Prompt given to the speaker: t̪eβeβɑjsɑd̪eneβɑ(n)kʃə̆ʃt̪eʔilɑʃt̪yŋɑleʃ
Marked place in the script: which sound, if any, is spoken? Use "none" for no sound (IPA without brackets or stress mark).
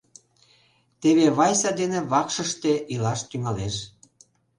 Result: none